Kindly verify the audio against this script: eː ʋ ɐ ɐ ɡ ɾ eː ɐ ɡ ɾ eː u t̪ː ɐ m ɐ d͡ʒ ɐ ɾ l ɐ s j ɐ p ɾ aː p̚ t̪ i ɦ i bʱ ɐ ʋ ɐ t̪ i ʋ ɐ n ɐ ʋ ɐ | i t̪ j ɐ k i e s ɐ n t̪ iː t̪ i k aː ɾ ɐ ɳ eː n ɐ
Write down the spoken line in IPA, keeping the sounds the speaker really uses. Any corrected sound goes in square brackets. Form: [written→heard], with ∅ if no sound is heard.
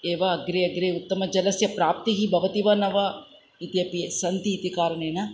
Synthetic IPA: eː ʋ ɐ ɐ ɡ ɾ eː ɐ ɡ ɾ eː u t̪ː ɐ m ɐ d͡ʒ ɐ [ɾ→∅] l ɐ s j ɐ p ɾ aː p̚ t̪ i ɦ i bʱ ɐ ʋ ɐ t̪ i ʋ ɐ n ɐ ʋ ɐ | i t̪ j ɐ [k→p] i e s ɐ n t̪ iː t̪ i k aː ɾ ɐ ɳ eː n ɐ